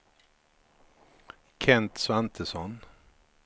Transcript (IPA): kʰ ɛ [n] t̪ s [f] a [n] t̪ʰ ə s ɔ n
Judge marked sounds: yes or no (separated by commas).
yes, no, yes